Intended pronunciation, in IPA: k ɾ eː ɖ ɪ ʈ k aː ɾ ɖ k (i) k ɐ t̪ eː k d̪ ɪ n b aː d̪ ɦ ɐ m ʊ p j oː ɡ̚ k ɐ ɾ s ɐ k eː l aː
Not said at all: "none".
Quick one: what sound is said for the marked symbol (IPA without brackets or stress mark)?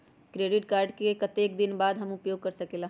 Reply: e